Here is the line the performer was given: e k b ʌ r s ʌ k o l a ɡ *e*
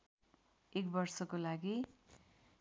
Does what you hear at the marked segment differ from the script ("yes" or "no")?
yes